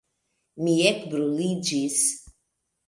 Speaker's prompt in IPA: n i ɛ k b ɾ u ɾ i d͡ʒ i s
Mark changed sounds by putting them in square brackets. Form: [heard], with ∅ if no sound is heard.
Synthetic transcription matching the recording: [m] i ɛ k b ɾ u [l] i d͡ʒ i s